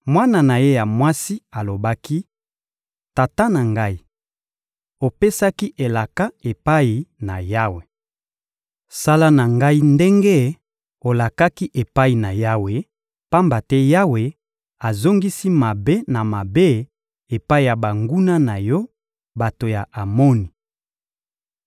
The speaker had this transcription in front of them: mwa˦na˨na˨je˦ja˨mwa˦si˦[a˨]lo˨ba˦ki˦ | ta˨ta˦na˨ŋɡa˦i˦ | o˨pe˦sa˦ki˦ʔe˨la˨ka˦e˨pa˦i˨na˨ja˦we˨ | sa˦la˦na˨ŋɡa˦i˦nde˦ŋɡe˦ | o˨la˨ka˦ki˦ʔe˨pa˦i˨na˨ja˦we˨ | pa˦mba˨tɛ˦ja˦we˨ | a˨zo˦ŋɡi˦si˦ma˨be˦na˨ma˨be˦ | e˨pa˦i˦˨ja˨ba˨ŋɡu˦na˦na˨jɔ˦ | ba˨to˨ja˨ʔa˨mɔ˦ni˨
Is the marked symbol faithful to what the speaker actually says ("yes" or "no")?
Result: yes